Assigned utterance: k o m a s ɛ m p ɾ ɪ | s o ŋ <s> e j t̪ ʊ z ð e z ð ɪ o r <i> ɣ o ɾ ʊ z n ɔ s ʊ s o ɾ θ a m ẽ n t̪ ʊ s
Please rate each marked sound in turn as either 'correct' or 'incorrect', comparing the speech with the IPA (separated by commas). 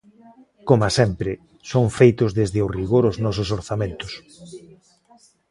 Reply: incorrect, correct